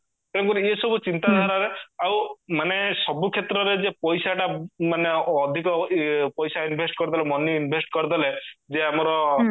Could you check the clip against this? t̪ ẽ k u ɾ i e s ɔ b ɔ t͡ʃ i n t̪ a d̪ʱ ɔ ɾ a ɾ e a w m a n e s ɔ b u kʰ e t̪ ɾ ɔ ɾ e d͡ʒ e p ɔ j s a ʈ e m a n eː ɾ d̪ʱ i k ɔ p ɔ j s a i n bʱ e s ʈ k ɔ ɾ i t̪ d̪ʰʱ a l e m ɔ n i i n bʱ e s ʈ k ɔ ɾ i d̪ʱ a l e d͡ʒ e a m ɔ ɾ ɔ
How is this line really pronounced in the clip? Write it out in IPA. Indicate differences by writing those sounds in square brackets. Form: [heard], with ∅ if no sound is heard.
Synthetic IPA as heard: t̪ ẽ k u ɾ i e s ɔ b [u] t͡ʃ i n t̪ a d̪ʱ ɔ ɾ a ɾ e a w m a n e s ɔ b u kʰ e t̪ ɾ ɔ ɾ e d͡ʒ e p ɔ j s a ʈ [a] m a n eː [∅] d̪ʱ i k ɔ p ɔ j s a i n bʱ e s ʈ k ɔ ɾ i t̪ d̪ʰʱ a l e m ɔ n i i n bʱ e s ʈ k ɔ ɾ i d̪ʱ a l e d͡ʒ e a m ɔ ɾ ɔ